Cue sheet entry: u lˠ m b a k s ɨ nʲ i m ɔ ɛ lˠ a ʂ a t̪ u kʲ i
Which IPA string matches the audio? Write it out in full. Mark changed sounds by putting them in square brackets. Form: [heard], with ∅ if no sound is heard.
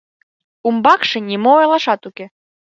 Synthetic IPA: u [∅] m b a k [ʂ] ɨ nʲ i m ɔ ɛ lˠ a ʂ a t̪ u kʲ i